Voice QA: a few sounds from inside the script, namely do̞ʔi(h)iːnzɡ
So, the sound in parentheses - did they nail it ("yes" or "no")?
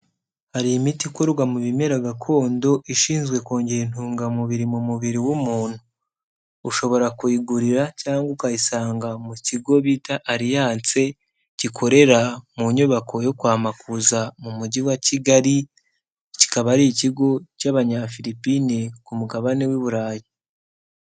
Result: no